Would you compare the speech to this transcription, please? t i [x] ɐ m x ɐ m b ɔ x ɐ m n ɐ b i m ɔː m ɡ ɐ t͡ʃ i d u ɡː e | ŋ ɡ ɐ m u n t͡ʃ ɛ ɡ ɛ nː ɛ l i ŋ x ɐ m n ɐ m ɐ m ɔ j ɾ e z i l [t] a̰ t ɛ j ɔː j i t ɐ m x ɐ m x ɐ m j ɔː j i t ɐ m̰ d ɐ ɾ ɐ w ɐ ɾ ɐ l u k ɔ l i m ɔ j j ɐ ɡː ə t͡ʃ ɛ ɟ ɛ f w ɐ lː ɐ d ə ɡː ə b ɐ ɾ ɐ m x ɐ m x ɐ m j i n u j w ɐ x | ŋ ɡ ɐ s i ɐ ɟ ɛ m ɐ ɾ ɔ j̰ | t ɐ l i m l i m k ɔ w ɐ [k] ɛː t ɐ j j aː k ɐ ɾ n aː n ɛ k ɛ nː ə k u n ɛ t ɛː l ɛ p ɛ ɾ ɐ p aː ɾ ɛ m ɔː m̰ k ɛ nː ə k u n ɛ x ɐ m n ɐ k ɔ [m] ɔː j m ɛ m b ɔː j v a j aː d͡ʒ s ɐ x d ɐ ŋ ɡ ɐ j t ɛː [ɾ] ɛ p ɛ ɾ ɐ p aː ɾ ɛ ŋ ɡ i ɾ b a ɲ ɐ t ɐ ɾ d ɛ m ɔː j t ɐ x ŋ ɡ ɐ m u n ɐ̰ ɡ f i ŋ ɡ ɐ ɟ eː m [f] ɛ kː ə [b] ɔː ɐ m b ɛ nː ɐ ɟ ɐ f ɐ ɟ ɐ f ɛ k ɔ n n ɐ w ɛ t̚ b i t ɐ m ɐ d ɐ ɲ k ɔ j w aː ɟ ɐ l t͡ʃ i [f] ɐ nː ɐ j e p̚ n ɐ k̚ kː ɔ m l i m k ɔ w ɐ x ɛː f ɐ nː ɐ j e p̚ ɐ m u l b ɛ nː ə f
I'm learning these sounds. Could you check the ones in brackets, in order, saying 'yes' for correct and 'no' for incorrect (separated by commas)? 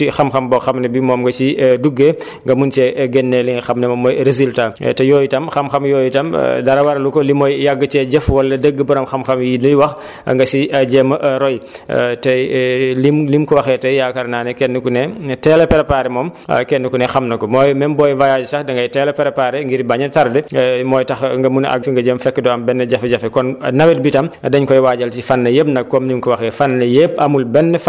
yes, yes, no, yes, no, yes, no, yes